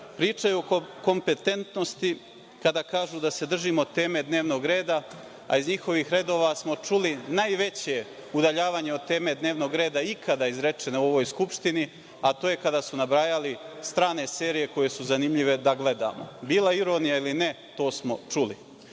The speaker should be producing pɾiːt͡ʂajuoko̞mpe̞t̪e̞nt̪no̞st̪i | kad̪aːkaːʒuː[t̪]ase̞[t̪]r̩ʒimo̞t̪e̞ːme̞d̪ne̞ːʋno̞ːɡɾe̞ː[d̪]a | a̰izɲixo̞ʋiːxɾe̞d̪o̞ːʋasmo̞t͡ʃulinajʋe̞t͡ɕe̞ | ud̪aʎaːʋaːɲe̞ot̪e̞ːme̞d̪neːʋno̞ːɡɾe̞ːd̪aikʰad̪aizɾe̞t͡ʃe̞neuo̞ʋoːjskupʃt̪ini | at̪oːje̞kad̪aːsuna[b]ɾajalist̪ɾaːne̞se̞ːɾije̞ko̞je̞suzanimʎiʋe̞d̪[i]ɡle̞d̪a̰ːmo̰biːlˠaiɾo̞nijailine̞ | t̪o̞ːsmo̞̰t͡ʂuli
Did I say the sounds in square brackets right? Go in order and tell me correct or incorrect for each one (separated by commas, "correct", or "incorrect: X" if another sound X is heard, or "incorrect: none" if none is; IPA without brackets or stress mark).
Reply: incorrect: d̪, incorrect: d̪, correct, correct, incorrect: a